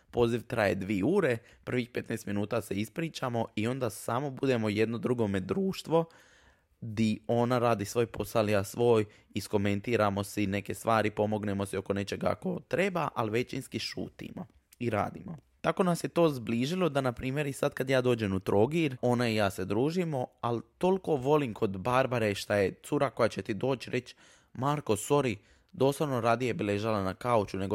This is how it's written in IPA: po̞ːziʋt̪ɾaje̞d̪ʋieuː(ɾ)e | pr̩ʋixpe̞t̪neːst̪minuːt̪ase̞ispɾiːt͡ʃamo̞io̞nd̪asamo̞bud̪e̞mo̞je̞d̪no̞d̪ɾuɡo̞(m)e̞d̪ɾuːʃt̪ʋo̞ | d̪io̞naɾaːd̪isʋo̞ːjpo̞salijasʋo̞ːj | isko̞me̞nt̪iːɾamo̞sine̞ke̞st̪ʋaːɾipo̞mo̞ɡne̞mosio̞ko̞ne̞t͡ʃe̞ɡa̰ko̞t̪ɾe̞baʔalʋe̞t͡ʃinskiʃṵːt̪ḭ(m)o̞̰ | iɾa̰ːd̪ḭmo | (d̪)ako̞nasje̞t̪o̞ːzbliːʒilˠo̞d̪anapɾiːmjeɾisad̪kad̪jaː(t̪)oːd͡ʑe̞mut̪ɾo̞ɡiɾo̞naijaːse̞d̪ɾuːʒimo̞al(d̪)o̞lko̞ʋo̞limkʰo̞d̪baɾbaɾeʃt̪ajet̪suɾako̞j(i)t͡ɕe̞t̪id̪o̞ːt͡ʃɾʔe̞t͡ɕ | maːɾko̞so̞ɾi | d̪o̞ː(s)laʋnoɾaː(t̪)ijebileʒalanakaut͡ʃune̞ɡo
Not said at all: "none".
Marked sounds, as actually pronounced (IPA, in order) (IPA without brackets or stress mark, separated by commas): ɾ, m, m, t̪, d̪, t̪, a, s, d̪